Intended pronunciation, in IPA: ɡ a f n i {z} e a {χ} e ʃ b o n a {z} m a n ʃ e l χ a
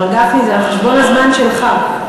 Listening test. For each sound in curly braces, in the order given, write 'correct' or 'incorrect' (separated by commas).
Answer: correct, correct, correct